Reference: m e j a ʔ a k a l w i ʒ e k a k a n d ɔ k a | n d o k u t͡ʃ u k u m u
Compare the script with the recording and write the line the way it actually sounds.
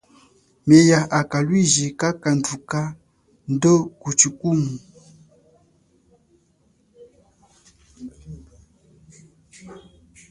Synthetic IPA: m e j a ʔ a k a l w i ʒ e k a k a n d u k a | n d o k u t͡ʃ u k u m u